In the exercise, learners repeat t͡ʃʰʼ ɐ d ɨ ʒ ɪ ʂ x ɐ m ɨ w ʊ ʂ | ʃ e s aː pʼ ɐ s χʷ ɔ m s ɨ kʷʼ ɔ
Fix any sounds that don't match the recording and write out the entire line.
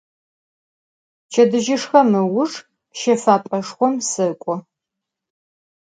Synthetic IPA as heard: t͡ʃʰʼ ɐ d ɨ ʒ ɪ ʂ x ɐ m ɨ w ʊ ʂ | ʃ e f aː pʼ ɐ ʂ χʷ ɔ m s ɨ kʷʼ ɔ